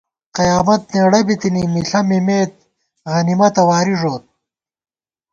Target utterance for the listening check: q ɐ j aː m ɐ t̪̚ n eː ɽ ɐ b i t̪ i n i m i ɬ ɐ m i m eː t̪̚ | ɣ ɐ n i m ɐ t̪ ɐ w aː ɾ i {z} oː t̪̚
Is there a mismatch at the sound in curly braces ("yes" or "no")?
yes